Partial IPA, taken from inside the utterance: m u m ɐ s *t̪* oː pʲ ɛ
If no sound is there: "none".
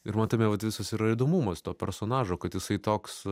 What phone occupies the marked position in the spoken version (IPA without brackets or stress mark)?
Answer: t̪